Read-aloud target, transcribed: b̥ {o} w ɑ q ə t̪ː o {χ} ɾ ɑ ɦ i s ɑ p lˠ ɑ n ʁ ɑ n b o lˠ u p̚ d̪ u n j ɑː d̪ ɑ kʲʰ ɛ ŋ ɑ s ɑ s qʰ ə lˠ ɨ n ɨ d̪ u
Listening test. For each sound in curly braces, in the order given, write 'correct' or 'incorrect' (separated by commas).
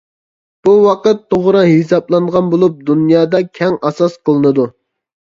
incorrect, incorrect